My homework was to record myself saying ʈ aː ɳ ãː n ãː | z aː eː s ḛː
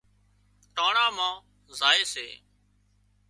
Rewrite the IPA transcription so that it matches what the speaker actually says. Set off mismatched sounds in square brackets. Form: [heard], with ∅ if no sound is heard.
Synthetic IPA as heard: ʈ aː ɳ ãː [m] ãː | z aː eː s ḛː

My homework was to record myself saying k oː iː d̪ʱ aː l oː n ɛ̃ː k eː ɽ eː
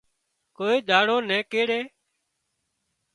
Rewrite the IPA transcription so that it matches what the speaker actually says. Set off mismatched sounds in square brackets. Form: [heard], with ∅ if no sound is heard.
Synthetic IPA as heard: k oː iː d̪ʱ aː [ɽ] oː n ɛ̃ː k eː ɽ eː

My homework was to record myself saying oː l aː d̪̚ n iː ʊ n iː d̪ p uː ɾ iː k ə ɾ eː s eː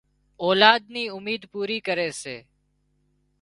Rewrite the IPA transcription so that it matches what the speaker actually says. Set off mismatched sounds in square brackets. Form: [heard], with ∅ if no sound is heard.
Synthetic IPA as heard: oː l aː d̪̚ n iː ʊ [m] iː d̪ p uː ɾ iː k ə ɾ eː s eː

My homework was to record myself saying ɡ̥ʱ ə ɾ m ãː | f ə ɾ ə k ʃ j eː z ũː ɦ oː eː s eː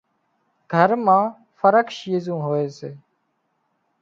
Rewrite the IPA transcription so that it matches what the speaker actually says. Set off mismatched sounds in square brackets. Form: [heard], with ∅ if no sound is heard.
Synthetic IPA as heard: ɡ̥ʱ ə ɾ m ãː | f ə ɾ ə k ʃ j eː z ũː ɦ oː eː s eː

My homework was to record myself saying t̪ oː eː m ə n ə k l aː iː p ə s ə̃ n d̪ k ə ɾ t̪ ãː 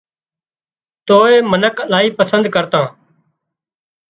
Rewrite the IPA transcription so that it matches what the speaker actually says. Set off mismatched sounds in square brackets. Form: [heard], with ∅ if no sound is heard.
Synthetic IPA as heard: t̪ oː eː m ə n ə k l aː iː p ə s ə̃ n d̪ k ə ɾ t̪ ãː

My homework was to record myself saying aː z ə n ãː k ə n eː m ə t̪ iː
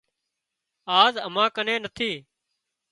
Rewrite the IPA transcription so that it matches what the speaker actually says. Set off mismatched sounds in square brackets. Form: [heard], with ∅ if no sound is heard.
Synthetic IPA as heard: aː z ə [m] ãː k ə n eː [n] ə [t̪ʰ] iː

